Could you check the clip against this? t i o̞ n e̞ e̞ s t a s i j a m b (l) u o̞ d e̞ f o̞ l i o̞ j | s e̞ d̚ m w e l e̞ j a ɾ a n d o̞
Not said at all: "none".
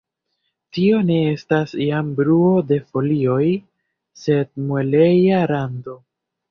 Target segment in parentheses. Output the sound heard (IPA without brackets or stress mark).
ɾ